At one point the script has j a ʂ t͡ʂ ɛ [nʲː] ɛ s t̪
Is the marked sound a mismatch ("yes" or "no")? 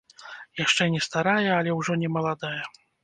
yes